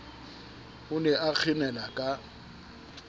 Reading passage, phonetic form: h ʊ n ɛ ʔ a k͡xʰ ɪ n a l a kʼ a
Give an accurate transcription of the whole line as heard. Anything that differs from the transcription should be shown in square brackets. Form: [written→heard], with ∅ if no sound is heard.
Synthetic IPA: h ʊ n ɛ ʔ a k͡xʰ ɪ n [a→ɛ] l a kʼ a

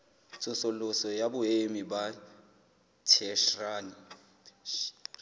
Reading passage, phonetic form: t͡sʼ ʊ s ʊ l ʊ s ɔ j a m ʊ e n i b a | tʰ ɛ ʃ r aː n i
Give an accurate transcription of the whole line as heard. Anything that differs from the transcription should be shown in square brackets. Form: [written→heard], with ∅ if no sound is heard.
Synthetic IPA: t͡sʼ ʊ s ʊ l ʊ s ɔ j a [m→b] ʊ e [n→m] i b a | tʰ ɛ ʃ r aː n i

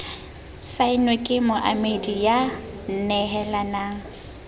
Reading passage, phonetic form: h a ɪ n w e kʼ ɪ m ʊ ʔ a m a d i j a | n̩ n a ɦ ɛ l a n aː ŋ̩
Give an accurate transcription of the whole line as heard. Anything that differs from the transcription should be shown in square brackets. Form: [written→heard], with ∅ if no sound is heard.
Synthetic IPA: [h→s] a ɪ n w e kʼ ɪ m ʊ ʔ a m [a→e] d i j a | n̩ n [a→ɛ] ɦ ɛ l a n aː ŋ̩

